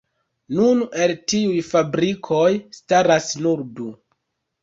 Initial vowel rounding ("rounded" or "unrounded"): rounded